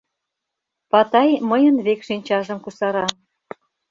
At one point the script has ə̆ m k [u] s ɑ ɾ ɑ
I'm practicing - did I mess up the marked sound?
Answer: no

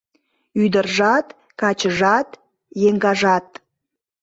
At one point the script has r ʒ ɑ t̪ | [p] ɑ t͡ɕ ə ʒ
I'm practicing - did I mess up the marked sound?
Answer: yes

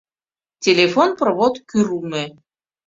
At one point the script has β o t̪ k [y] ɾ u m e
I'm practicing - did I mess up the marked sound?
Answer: no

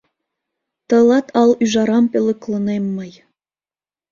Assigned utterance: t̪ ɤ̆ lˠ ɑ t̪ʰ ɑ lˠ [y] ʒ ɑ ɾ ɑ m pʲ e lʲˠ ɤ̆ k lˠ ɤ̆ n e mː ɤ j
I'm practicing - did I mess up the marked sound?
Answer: no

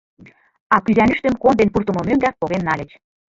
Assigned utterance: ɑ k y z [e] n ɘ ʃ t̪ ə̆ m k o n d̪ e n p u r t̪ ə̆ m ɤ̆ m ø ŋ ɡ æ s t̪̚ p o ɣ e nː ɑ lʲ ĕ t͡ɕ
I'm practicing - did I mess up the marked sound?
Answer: yes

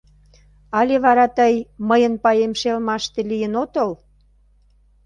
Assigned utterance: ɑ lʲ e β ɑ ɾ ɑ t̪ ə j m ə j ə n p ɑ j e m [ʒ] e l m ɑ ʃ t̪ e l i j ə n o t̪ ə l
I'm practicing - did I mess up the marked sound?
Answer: yes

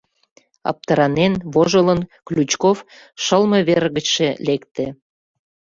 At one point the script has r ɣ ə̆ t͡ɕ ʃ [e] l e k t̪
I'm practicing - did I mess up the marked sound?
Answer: no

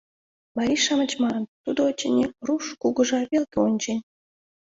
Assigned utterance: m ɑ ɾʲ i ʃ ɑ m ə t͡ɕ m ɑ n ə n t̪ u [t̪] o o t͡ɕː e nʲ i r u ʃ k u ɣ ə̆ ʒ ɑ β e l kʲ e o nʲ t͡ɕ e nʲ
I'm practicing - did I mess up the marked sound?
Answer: yes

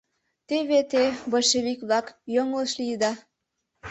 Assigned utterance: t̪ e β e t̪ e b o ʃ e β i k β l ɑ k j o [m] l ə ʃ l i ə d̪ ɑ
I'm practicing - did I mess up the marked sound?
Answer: yes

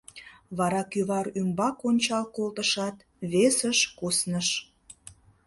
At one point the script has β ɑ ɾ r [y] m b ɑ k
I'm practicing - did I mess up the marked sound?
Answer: no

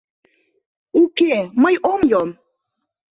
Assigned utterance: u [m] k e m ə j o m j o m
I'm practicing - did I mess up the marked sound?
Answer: yes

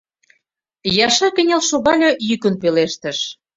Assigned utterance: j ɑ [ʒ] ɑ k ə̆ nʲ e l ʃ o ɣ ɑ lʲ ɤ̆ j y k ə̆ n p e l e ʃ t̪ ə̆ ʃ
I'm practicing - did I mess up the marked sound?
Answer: yes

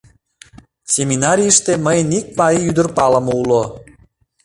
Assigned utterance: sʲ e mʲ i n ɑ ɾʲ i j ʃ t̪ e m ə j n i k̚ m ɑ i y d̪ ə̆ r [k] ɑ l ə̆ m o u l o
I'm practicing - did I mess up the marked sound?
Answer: yes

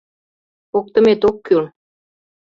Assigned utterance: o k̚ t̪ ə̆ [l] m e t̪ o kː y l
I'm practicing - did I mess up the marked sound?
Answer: yes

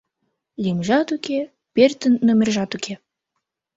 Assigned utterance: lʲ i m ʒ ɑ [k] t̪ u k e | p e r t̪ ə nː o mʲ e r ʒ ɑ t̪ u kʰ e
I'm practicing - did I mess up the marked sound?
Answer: yes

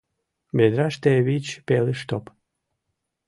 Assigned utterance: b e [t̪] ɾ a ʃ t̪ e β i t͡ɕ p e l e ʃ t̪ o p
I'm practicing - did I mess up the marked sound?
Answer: yes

